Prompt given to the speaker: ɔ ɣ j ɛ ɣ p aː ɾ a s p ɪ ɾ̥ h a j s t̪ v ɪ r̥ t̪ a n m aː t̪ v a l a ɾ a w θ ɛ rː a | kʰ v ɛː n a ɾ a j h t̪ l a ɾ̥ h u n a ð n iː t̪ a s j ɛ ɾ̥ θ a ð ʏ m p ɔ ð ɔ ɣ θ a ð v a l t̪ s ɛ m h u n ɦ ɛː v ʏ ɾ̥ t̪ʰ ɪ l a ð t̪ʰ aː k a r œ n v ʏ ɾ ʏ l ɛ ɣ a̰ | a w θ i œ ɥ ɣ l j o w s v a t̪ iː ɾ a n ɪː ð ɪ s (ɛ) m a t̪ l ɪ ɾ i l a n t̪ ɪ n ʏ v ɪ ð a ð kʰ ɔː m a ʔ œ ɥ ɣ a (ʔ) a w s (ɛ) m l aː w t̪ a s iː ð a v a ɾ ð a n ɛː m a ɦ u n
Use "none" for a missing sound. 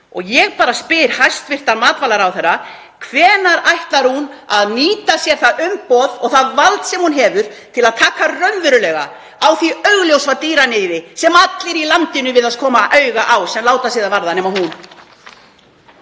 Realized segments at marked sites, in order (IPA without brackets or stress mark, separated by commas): ɛ, ʔ, ɛ